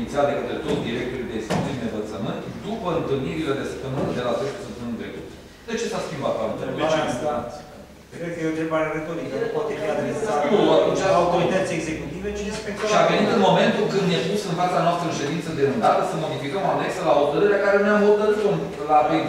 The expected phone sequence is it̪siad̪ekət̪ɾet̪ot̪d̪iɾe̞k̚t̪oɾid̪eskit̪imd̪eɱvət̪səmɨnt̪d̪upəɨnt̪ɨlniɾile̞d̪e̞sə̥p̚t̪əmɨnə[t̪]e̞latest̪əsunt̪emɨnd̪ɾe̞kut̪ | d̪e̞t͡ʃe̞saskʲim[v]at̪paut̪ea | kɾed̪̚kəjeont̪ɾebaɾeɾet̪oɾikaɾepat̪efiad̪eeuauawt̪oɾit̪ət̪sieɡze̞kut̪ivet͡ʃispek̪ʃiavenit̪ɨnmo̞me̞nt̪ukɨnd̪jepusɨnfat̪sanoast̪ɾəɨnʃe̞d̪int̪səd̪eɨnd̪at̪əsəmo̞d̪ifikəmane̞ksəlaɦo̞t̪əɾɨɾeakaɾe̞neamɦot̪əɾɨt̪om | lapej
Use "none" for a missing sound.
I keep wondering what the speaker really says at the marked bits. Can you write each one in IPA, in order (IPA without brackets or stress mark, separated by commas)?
d̪, b